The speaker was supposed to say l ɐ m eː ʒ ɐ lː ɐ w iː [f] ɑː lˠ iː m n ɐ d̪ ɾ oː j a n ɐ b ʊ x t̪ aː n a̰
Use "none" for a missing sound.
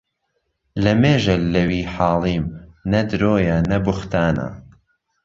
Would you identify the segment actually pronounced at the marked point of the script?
ħ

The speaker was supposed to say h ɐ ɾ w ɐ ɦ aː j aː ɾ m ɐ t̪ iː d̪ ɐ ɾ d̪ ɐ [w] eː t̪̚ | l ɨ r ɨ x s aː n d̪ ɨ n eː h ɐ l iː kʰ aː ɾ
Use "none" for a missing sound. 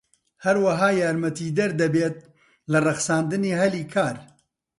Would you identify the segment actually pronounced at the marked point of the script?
b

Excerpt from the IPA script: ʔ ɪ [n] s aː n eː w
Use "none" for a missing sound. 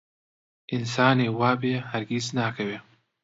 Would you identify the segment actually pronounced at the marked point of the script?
n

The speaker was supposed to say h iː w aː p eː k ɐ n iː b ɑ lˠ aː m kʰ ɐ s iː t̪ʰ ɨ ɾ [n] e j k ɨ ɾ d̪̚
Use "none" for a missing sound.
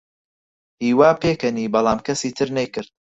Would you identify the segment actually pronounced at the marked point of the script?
n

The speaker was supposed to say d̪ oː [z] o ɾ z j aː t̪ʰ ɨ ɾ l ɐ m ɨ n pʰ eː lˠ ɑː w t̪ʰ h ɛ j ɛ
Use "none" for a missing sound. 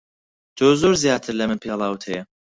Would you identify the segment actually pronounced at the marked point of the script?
z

